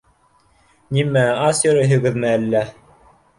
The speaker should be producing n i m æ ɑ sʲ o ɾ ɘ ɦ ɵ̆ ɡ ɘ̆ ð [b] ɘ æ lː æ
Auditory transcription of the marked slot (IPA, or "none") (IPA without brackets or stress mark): m